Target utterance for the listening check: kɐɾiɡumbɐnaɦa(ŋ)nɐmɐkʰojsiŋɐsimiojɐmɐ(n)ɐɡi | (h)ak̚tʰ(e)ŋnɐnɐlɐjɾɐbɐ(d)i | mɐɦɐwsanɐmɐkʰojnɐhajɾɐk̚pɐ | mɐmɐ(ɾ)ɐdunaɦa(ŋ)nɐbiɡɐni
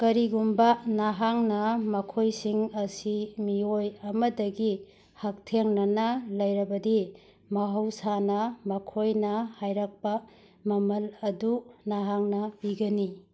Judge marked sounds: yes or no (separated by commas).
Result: yes, no, yes, yes, yes, no, yes